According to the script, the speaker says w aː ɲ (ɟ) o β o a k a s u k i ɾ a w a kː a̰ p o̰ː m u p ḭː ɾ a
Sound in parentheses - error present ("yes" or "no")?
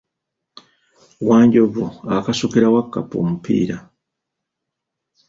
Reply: no